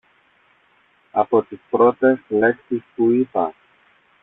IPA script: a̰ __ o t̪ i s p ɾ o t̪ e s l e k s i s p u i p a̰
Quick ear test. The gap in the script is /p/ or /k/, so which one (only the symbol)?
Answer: p